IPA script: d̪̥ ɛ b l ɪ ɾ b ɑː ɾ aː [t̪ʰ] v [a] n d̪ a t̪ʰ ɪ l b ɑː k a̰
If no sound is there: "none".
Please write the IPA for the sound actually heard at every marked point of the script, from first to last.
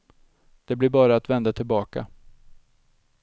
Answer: t̪, ɛ

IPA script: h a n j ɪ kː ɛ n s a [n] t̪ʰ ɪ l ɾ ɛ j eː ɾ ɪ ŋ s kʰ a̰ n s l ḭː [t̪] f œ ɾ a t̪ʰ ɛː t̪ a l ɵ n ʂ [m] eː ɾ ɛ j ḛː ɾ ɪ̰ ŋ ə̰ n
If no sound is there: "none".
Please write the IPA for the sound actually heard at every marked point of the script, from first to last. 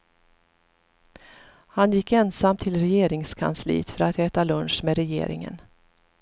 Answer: m, t̪, m

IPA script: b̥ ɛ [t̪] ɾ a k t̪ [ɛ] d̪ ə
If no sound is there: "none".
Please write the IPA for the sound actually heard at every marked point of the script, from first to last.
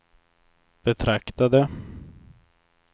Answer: t̪ʰ, a

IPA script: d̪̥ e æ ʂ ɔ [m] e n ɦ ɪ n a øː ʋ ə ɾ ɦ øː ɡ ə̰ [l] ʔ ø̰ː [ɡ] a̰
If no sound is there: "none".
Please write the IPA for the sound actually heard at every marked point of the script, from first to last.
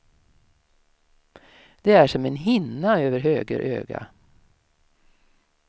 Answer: m, ɾ, ɡ

